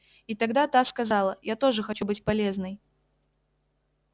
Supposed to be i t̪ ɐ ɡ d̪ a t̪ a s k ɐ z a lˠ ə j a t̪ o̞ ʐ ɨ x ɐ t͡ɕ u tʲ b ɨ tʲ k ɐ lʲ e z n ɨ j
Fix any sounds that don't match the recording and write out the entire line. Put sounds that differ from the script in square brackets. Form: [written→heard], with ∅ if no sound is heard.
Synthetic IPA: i t̪ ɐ ɡ d̪ a t̪ a s k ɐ z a lˠ ə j a t̪ o̞ ʐ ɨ x ɐ t͡ɕ u [tʲ→∅] b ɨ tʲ [k→p] ɐ lʲ e z n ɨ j